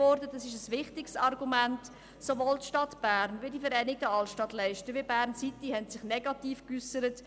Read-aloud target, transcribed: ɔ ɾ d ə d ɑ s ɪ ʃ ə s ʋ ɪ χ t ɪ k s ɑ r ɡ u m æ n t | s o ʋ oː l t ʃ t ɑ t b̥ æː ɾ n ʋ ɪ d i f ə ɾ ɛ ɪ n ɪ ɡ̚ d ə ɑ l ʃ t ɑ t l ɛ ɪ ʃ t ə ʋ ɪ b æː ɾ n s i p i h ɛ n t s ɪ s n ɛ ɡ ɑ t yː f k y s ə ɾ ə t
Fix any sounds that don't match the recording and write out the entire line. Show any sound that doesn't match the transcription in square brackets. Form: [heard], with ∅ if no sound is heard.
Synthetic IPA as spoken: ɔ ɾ d ə d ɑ s ɪ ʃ ə s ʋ ɪ χ t ɪ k s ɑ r ɡ u m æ n t | s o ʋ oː l t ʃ t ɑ t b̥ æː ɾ n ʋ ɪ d i f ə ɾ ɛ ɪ n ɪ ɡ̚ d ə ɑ l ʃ t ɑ t l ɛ ɪ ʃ t ə ʋ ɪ b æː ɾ n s i [t] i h ɛ n t s ɪ [χ] n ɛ ɡ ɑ t [iː] f k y s ə ɾ ə t